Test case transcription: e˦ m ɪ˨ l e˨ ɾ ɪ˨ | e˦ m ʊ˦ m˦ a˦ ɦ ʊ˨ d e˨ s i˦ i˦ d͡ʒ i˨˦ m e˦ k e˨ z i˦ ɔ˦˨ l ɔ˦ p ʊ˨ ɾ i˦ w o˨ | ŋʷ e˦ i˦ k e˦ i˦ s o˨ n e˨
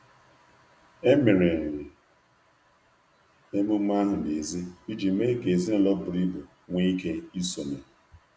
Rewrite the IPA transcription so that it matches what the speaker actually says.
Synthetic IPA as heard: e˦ m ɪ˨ ɾ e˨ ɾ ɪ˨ | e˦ m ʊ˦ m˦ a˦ ɦ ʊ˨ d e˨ z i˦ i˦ d͡ʒ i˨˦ m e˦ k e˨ z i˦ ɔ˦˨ l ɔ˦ b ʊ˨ ɾ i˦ b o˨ | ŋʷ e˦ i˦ k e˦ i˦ s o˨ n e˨